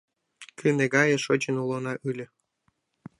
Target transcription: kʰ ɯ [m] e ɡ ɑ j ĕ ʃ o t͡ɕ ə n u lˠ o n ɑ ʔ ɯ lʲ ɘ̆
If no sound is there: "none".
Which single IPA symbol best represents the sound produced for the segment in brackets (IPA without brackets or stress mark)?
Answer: n